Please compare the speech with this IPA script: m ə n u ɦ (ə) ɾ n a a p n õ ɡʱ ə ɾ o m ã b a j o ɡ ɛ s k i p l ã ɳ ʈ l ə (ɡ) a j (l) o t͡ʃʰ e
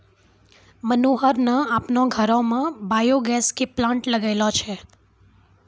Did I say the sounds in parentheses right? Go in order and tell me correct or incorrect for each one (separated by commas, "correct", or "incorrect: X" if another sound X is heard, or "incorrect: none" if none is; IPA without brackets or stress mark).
correct, correct, correct